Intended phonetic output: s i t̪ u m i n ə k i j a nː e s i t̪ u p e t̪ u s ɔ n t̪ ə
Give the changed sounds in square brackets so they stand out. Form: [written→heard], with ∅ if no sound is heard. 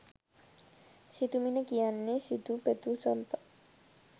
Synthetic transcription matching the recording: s i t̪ u m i n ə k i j a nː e s i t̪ u p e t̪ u s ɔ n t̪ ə